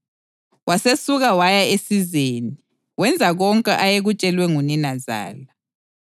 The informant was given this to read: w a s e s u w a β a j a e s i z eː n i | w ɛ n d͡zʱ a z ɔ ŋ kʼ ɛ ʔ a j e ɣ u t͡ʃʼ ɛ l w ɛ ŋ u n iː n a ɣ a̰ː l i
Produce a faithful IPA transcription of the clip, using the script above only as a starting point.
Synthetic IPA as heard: w a s e s u ɣ a w a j a e s i z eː n i | w ɛ n d͡zʱ a ɣ ɔ ŋ kʼ ɛ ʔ a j e ɣ u t͡ʃʼ ɛ l w ɛ ŋ u n i n a z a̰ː l a